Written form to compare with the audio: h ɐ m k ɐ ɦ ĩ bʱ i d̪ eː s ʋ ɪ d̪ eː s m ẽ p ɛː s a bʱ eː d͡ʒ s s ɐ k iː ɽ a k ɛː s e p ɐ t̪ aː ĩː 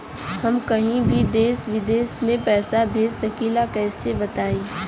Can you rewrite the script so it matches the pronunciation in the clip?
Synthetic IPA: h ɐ m k ɐ ɦ ĩ bʱ i d̪ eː s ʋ ɪ d̪ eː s m ẽ p ɛː s a bʱ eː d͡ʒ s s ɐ k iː l a k ɛː s e b ɐ t̪ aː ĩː